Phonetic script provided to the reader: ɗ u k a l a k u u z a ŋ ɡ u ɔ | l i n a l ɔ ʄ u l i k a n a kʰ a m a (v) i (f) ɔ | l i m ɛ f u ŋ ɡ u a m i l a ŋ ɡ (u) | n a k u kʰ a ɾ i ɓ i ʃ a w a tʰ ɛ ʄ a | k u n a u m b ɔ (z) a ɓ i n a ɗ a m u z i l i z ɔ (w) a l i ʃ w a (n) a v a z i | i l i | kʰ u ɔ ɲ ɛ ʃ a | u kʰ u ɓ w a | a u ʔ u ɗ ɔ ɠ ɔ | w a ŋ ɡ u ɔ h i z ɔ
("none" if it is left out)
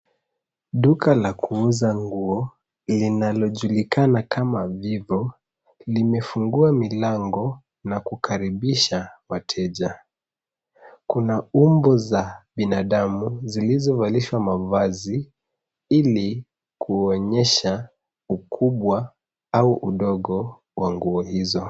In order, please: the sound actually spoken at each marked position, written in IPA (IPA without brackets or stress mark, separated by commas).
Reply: v, v, ɔ, z, v, m